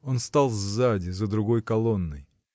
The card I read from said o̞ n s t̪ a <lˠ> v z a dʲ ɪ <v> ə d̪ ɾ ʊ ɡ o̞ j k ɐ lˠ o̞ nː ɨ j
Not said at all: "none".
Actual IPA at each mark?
lˠ, z

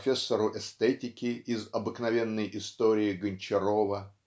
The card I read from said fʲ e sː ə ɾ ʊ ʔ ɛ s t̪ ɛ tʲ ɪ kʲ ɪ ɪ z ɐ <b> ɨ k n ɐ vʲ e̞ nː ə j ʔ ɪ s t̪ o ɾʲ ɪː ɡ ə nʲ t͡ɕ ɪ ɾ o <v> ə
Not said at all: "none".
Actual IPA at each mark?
b, v

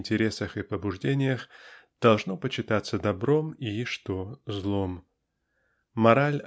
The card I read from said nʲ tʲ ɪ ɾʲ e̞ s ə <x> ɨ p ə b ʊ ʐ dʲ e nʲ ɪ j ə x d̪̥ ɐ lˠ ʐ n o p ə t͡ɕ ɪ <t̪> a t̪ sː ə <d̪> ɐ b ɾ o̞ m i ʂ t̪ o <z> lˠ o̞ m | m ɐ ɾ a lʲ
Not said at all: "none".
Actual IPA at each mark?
x, t̪, d̪, z

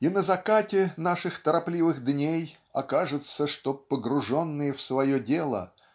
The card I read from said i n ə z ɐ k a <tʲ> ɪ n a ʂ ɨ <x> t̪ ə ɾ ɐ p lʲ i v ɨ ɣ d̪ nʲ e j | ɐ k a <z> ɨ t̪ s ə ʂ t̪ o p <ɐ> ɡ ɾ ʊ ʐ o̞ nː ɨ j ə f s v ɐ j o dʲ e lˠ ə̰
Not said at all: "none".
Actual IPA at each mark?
tʲ, x, ʐ, ə

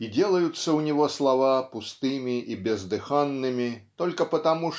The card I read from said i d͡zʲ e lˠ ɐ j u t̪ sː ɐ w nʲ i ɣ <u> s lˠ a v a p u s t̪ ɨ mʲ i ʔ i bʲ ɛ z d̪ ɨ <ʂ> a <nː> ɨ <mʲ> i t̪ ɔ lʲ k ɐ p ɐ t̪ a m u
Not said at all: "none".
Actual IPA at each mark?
ɔ, x, nː, mʲ

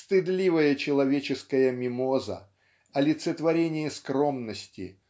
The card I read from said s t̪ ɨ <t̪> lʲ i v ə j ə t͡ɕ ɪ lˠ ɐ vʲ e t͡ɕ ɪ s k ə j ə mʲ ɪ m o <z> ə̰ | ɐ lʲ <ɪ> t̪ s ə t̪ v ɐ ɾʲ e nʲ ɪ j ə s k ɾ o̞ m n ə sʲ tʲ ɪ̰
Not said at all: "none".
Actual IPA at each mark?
d̪, z, ɪ

